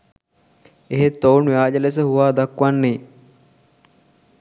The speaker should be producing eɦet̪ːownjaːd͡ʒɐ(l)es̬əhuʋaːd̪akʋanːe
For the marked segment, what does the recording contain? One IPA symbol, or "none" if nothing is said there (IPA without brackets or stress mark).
l